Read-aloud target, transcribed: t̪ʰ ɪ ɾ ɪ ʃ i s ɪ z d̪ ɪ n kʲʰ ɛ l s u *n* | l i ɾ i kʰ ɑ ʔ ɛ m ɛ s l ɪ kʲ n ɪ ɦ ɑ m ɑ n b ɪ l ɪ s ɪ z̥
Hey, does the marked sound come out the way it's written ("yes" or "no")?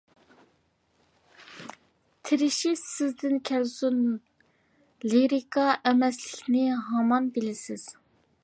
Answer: yes